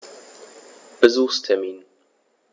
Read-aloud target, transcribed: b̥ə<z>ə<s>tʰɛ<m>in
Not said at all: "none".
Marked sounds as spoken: z, s, m

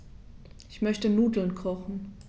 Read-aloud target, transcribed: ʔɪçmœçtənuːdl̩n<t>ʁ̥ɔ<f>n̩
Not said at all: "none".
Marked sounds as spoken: k, χ

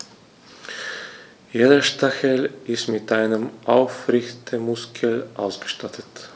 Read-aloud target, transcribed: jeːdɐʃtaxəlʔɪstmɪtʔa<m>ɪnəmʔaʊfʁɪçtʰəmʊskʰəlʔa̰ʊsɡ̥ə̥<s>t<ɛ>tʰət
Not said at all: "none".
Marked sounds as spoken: none, ʃ, a

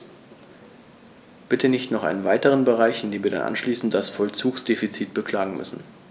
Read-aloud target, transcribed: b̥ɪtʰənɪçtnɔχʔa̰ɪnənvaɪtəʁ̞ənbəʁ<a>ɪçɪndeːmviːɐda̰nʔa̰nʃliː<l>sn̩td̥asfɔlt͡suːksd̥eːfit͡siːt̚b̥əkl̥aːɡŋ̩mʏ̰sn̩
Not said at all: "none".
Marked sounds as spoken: a, none

